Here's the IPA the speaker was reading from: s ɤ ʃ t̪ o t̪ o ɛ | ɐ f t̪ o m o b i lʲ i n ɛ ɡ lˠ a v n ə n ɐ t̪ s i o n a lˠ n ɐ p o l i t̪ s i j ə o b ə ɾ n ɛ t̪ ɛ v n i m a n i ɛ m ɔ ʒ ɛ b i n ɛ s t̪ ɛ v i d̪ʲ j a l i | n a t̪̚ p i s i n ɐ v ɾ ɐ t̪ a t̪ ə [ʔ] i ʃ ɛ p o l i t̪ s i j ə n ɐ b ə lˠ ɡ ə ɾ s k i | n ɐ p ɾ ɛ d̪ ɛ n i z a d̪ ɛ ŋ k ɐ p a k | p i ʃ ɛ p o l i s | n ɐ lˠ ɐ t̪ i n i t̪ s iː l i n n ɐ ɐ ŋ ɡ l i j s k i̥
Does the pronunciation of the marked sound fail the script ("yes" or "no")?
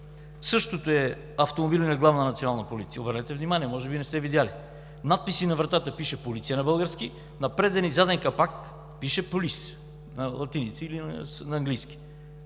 yes